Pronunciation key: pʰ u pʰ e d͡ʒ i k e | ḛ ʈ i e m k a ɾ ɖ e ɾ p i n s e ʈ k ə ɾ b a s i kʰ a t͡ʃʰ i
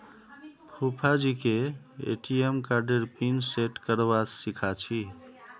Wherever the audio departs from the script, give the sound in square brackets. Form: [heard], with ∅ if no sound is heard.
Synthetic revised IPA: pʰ u pʰ [a] d͡ʒ i k e | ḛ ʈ i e m k a ɾ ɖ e ɾ p i n s e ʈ k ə ɾ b a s i kʰ a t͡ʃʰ i

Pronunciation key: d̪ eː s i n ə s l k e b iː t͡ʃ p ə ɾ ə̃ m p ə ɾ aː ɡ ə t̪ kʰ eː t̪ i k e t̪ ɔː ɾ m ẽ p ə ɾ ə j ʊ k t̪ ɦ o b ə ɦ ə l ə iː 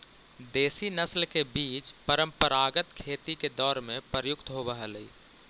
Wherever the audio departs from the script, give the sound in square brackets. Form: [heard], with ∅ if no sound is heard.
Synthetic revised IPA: d̪ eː s i n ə s l k e b iː t͡ʃ p ə ɾ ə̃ m p ə ɾ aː ɡ ə t̪ kʰ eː t̪ i k e [d̪] ɔː ɾ m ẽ p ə ɾ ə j ʊ k t̪ ɦ o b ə ɦ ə l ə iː

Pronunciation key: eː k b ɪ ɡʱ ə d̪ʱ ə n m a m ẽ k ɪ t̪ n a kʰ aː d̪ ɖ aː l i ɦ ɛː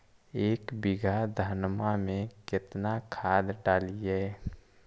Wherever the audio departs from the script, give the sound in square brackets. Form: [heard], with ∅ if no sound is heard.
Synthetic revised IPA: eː k b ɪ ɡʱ [a] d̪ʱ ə n m a m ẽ k ɪ t̪ n a kʰ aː d̪ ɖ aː l i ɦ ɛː

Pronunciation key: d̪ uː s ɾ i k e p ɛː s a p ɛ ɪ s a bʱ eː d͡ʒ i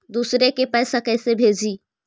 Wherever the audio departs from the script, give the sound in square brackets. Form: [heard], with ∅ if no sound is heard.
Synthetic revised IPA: d̪ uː s ɾ [e] k e p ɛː s a [k] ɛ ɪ s [e] bʱ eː d͡ʒ i

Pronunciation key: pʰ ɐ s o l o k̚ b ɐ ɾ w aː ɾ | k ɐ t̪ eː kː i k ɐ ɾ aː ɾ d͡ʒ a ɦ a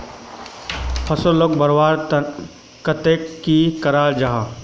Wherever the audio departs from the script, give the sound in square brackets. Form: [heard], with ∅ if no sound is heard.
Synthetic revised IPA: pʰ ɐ s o l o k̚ b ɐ ɾ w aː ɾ | k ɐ t̪ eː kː i k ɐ ɾ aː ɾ d͡ʒ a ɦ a

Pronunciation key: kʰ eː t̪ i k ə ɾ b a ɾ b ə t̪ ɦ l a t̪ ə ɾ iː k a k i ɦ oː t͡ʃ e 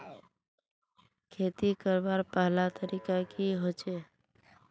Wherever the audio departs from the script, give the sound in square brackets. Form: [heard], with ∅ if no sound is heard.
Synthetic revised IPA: kʰ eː t̪ i k ə ɾ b a ɾ [p] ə [∅] ɦ l a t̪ ə ɾ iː k a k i ɦ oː t͡ʃ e

